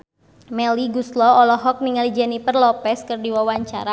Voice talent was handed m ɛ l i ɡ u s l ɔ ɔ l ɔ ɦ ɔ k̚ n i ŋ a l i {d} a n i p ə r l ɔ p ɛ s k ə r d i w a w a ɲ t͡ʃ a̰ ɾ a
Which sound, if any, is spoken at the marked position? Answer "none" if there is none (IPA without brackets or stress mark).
d͡ʒ